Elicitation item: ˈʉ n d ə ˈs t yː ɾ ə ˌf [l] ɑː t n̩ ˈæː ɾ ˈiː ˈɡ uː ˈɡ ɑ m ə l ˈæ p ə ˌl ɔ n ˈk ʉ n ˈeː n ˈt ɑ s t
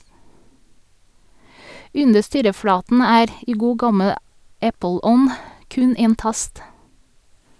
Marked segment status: incorrect: ɽ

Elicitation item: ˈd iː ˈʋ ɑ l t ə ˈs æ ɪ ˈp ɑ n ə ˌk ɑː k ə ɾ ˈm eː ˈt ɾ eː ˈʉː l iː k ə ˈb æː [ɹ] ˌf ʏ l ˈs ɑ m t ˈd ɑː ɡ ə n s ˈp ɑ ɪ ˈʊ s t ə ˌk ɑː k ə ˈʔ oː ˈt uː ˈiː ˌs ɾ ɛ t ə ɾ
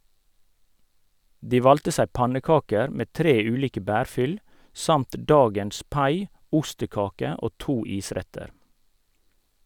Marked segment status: incorrect: ɾ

